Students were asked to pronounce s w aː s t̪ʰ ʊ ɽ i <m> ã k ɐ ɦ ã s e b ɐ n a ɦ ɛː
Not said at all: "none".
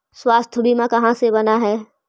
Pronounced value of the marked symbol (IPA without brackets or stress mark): m